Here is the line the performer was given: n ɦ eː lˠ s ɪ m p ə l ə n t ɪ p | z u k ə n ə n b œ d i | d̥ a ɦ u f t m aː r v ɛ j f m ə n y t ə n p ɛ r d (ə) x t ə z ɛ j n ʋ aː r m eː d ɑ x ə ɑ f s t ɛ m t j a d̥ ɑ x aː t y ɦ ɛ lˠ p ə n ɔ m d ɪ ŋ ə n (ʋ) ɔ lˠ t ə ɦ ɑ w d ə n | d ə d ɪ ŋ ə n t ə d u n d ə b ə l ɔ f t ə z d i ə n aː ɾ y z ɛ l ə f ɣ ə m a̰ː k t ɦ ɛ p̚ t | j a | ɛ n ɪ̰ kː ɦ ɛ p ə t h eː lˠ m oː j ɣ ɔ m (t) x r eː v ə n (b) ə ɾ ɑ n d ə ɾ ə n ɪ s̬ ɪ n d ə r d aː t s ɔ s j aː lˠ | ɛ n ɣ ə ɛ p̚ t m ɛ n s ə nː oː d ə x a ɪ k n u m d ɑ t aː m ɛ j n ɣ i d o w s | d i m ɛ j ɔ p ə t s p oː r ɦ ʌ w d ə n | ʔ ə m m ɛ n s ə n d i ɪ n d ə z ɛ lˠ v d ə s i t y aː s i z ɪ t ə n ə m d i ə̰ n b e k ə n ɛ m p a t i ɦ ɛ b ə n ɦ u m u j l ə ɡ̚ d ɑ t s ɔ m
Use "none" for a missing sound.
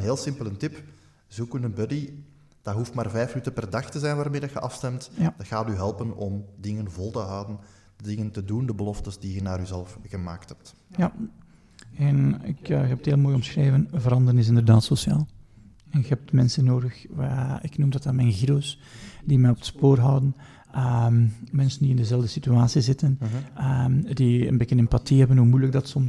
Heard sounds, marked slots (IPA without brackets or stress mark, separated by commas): ɑ, v, s, v